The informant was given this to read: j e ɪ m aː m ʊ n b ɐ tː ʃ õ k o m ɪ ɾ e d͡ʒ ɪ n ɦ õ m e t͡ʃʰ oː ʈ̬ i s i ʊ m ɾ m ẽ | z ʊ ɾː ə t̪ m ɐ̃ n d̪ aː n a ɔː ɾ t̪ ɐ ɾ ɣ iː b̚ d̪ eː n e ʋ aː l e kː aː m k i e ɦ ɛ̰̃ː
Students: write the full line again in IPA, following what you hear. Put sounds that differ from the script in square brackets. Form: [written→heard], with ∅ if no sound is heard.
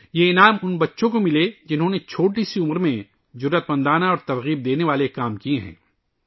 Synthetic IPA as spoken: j e ɪ [m→n] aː m ʊ n b ɐ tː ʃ õ k o m ɪ [ɾ→l] e d͡ʒ ɪ n ɦ õ [m→n] e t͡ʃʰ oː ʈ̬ i s i ʊ m ɾ m ẽ | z ʊ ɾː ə t̪ m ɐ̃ n d̪ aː n a ɔː ɾ t̪ ɐ ɾ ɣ iː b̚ d̪ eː n e ʋ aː l e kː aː m k i e ɦ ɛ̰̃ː